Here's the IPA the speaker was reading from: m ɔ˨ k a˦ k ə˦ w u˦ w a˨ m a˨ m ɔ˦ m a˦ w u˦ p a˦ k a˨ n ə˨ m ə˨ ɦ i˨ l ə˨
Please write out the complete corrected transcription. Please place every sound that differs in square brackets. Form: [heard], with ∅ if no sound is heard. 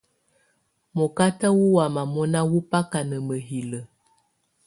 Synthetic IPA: m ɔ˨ k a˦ [t] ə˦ w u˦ w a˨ m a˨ m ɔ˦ [n] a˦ w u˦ p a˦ k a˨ n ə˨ m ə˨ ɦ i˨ l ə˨